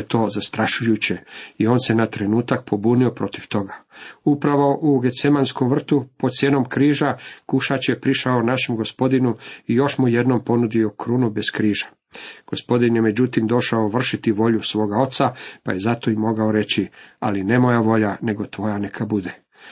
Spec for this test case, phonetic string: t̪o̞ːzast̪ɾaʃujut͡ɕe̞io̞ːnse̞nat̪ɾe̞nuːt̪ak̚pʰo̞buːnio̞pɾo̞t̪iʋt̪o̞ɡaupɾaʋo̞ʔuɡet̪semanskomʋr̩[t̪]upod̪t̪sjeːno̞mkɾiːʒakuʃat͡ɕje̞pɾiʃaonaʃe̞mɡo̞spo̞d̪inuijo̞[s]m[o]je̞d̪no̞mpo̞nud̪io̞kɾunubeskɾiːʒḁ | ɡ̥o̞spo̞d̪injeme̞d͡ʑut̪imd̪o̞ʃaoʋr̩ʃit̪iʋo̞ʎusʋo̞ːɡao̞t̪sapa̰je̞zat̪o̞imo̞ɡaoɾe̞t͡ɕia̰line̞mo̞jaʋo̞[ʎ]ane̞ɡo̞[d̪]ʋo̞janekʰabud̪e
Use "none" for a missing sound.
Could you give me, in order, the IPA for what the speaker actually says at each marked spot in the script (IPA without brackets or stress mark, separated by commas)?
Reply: t̪, ʃ, u, ʎ, t̪